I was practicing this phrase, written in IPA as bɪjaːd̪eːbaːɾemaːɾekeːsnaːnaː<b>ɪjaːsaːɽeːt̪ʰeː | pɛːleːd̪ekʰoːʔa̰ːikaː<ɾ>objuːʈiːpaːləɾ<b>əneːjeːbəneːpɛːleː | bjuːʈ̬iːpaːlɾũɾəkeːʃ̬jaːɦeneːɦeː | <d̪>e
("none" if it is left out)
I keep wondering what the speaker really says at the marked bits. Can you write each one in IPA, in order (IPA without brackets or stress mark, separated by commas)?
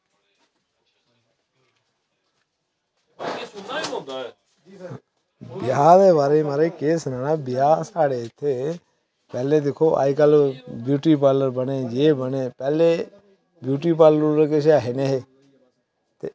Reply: b, l, b, t̪